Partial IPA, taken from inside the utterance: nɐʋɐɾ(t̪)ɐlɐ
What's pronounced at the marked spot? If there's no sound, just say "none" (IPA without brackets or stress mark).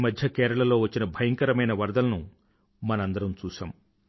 d̪